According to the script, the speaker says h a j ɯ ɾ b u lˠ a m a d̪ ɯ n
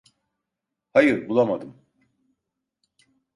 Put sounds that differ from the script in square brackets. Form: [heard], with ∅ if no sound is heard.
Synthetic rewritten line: h a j ɯ ɾ b u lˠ a m a d̪ ɯ [m]

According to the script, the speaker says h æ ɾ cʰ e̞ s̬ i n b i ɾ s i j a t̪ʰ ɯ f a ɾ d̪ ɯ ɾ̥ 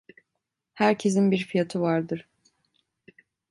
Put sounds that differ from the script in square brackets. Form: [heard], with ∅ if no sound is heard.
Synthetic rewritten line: h æ ɾ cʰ e̞ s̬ i n b i ɾ [f] i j a t̪ʰ ɯ [v] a ɾ d̪ ɯ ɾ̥

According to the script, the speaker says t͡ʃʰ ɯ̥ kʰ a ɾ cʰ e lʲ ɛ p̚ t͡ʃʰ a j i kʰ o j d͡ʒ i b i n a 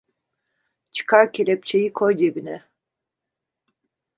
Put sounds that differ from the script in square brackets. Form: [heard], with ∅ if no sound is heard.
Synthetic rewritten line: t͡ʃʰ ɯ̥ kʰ a ɾ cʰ e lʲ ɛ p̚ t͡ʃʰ [e] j i kʰ o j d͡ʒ [e] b i n [ɛ]

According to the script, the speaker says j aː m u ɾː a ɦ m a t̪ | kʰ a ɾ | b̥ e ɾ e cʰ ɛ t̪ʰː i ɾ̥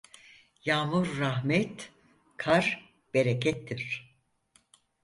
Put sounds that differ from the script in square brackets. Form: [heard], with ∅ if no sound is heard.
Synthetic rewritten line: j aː m u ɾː a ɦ m [ɛ] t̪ | kʰ a ɾ | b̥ e ɾ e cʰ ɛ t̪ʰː i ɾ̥

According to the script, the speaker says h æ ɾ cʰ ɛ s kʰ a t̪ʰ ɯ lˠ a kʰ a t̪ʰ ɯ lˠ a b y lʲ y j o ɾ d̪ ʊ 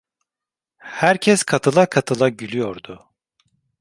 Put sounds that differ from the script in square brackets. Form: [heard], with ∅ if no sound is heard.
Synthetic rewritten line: h æ ɾ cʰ ɛ s kʰ a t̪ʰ ɯ lˠ a kʰ a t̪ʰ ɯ lˠ a [ɟ] y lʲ y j o ɾ d̪ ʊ

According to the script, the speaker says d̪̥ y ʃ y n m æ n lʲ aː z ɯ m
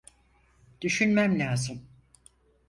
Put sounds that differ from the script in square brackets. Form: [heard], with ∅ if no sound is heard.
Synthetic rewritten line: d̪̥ y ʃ y n m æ [m] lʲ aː z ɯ m

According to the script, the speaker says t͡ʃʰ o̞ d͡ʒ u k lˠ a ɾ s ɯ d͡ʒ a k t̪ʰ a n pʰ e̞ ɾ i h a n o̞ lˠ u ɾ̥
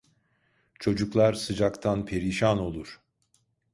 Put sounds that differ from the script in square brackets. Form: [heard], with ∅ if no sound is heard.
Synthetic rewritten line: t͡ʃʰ o̞ d͡ʒ u k lˠ a ɾ s ɯ d͡ʒ a k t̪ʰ a n pʰ e̞ ɾ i [ʃ] a n o̞ lˠ u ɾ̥

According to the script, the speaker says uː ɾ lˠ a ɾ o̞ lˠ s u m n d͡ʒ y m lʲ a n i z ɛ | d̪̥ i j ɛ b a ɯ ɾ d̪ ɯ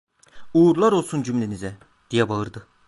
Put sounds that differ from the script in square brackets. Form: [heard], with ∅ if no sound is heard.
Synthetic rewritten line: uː ɾ lˠ a ɾ o̞ lˠ s u [∅] n d͡ʒ y m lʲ [e] n i z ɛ | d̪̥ i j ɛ b a ɯ ɾ d̪ ɯ

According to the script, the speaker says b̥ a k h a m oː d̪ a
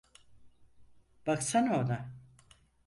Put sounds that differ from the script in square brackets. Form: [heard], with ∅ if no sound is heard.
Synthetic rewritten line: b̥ a k [s] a [n] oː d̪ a

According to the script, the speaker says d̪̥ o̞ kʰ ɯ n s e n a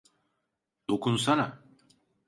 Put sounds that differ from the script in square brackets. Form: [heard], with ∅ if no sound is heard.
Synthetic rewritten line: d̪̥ o̞ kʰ [u] n s [a] n a

